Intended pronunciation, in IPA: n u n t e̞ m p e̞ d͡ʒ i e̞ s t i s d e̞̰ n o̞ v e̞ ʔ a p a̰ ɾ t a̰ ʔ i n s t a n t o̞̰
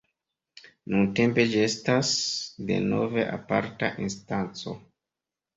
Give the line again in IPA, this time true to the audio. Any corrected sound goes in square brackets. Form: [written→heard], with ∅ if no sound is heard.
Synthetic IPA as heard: n u n t e̞ m p e̞ d͡ʒ i e̞ s t [i→a] s d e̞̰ n o̞ v e̞ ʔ a p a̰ ɾ t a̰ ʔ i n s t a n [t→t͡s] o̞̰